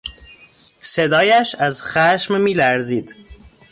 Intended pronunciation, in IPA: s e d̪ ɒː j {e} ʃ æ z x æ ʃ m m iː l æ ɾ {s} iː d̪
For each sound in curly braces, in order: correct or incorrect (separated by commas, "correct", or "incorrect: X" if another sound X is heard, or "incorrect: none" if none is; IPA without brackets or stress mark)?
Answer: incorrect: æ, incorrect: z